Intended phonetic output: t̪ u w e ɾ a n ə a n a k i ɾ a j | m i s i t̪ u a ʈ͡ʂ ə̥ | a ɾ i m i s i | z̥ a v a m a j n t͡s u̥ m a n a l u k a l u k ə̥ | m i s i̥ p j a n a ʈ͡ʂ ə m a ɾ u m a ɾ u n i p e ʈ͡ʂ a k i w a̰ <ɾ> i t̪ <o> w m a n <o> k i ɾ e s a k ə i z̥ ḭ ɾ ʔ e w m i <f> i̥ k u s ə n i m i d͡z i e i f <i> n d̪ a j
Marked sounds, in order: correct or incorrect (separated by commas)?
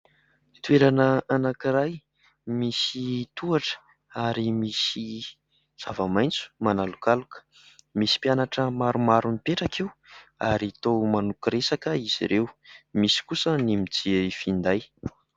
correct, correct, incorrect, incorrect, correct